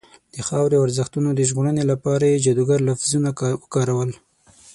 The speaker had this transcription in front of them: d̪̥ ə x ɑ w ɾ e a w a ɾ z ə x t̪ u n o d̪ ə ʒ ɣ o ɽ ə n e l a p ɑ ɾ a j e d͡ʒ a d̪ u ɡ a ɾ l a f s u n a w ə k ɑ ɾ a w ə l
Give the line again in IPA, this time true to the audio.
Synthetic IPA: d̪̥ ə x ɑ w ɾ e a w a ɾ z ə x t̪ u n o d̪ ə ʒ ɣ o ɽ ə n e l a p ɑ ɾ a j e d͡ʒ a d̪ u ɡ a ɾ l a f z u n a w ə k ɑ ɾ a w ə l